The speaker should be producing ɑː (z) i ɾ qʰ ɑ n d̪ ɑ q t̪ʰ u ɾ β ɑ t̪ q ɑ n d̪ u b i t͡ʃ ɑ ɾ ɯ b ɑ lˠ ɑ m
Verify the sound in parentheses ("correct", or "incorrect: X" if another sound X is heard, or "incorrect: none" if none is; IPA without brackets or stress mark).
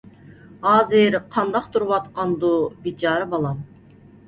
correct